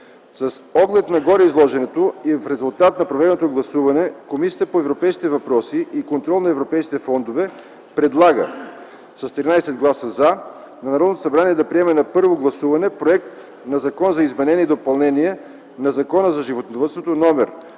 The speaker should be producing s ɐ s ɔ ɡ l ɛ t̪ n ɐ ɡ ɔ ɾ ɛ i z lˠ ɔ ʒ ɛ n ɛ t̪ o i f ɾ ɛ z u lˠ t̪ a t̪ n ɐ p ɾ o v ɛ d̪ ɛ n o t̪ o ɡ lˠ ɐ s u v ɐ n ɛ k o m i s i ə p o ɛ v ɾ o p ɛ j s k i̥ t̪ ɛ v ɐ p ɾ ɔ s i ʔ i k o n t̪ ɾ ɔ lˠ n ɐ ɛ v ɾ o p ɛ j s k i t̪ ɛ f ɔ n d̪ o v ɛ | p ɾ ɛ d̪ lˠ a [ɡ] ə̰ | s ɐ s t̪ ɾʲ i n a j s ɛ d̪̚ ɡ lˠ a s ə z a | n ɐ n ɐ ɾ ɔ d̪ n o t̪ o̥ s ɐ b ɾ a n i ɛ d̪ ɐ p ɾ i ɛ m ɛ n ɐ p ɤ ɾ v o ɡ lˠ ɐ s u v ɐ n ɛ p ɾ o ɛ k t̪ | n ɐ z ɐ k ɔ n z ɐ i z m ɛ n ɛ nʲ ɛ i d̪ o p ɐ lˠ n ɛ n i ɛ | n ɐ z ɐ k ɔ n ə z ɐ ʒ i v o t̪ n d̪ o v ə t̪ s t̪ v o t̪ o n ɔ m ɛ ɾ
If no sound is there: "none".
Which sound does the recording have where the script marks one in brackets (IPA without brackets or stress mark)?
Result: ɡ